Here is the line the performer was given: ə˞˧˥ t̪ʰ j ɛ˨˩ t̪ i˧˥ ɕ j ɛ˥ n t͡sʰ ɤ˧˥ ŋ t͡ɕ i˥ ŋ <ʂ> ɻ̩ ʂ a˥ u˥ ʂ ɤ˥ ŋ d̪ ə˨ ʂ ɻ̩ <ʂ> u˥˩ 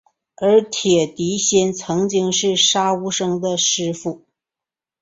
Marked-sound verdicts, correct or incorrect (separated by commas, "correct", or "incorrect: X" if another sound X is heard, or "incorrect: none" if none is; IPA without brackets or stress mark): correct, incorrect: f